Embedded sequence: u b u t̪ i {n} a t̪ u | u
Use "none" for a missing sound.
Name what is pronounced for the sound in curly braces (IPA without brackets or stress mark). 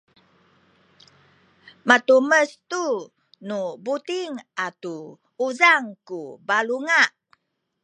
ŋ